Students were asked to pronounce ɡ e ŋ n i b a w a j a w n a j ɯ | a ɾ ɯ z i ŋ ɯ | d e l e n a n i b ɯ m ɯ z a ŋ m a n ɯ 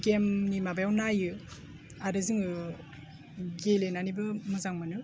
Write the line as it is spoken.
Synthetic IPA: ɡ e m n i m a b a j a w n a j ɯ | a ɾ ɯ z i ŋ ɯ | ɡ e l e n a n i b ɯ m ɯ z a ŋ m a n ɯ